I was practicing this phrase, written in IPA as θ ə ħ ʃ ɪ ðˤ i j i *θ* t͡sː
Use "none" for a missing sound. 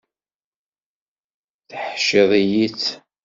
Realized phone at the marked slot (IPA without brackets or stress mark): none